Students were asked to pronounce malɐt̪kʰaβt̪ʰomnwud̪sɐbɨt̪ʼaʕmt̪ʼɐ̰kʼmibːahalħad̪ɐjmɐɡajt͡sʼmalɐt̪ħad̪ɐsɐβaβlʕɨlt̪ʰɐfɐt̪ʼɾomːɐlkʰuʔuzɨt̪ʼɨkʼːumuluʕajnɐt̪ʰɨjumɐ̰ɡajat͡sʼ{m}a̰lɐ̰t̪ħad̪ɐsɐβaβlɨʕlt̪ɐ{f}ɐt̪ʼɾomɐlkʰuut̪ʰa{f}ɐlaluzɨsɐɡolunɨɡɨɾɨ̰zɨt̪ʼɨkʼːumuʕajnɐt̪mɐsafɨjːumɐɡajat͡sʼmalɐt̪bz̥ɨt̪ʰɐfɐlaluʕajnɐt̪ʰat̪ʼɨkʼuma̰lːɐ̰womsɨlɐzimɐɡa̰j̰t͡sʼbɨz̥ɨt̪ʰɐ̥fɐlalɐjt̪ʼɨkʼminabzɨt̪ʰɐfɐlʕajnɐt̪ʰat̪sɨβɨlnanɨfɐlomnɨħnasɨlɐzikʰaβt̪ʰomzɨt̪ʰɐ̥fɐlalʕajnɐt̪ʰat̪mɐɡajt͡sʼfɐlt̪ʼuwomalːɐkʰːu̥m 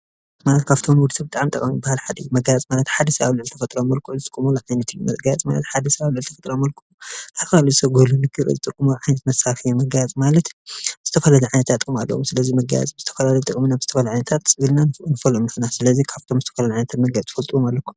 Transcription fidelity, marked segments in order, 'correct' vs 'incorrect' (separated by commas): correct, correct, correct